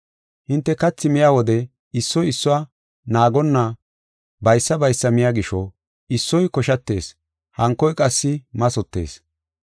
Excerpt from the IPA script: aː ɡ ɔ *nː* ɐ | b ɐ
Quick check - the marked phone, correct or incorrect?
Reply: correct